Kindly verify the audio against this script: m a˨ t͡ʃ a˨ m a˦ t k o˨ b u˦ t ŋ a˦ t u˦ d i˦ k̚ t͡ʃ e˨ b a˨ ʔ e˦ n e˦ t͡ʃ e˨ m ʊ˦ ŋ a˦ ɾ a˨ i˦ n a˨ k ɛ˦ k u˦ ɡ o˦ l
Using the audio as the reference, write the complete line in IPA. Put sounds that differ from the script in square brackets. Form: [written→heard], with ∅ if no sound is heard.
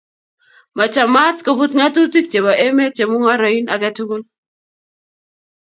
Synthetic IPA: m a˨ t͡ʃ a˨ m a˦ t k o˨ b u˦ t ŋ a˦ t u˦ [d→t] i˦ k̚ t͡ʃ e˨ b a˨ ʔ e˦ [n→m] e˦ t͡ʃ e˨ m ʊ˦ ŋ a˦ ɾ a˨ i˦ n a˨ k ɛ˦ [k→t] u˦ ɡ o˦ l